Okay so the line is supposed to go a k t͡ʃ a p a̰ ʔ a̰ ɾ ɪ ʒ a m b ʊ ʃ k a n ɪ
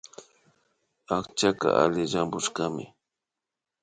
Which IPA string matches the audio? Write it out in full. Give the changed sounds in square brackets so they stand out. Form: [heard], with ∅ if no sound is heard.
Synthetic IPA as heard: a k t͡ʃ a [k] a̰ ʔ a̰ [l] ɪ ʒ a m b ʊ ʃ k a [m] ɪ